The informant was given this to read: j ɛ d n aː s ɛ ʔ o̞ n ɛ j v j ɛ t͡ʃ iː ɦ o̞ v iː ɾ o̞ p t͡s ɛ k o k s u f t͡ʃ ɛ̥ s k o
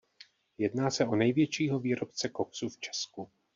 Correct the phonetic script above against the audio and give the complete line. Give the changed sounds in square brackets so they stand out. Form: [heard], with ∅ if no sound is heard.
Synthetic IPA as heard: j ɛ d n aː s ɛ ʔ o̞ n ɛ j v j ɛ t͡ʃ iː ɦ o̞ v iː ɾ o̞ p t͡s ɛ k o k s u f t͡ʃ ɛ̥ s k [u]